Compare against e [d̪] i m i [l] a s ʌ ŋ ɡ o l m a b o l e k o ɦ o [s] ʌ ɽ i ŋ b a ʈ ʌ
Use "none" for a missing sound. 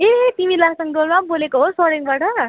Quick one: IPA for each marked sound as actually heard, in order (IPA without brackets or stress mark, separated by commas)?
t̪, l, s